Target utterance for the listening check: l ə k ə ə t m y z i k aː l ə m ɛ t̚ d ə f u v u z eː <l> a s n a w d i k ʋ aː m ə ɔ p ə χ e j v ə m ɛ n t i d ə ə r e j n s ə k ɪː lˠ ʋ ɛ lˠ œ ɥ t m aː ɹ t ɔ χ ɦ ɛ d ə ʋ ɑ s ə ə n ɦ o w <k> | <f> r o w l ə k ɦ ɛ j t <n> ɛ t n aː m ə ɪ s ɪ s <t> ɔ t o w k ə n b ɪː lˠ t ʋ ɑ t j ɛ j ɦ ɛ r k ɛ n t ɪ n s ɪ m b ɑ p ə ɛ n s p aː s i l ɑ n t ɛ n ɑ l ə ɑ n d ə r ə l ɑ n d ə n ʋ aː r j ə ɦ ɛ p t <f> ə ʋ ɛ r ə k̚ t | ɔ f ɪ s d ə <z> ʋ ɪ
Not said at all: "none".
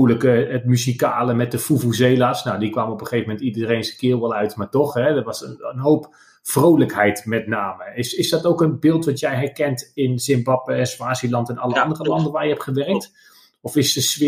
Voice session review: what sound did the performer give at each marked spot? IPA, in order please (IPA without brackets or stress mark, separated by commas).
l, p, f, m, d, χ, s